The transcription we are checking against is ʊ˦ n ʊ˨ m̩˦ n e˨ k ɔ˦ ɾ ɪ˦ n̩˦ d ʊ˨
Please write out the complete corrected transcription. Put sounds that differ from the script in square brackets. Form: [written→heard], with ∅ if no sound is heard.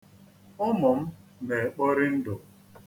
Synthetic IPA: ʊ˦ [n→m] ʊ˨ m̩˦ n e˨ [k→k͡p] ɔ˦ ɾ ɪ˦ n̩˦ d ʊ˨